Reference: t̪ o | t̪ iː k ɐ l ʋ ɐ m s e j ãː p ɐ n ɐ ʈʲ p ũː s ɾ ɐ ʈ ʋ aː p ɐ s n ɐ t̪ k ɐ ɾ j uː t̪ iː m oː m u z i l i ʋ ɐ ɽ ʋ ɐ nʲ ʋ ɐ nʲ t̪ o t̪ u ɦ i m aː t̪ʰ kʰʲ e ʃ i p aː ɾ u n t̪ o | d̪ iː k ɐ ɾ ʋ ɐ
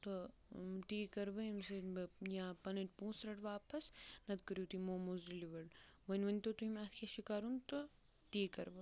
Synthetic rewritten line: t̪ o | t̪ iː k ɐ ɾ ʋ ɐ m s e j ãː p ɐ n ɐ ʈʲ p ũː s ɾ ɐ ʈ ʋ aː p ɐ s n ɐ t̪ k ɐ ɾ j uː t̪ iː m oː m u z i l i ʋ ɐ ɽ ʋ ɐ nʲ ʋ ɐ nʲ t̪ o t̪ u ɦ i m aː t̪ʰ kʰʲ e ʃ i k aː ɾ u n t̪ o | t̪ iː k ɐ ɾ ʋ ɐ